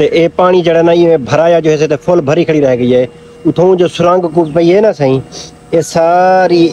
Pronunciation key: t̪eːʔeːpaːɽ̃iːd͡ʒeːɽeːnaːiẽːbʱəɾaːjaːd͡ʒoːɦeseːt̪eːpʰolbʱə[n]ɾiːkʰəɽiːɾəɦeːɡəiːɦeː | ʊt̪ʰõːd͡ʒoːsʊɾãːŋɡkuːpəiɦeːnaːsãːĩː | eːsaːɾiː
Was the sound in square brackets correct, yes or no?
no